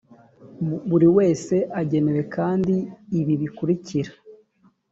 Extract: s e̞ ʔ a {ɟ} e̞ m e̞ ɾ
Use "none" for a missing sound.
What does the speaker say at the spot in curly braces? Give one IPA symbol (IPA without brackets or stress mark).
ɟ